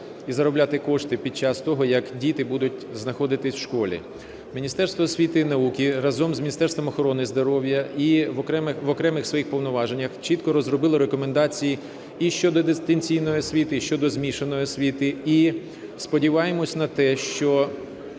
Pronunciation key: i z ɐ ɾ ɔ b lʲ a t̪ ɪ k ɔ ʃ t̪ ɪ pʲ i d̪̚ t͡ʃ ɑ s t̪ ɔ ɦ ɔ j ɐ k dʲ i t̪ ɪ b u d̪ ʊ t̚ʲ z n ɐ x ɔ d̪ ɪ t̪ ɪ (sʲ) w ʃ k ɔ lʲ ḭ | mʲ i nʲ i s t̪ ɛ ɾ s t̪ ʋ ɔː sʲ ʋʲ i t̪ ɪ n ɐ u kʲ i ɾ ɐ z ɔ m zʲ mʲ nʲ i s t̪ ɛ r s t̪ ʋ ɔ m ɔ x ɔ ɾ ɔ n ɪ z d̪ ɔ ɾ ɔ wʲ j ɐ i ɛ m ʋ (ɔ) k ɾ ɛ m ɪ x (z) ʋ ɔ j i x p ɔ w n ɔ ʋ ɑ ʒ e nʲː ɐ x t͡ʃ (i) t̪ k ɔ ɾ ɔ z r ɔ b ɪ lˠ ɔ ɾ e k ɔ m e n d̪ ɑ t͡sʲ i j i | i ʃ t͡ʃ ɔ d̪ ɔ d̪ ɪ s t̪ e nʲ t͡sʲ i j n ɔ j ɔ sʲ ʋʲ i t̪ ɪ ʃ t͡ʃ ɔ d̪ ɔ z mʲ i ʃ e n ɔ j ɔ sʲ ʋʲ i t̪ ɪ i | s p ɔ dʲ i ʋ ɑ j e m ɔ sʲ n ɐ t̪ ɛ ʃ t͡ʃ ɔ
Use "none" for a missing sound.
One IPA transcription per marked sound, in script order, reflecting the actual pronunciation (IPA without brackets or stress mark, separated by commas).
sʲ, ɔ, s, i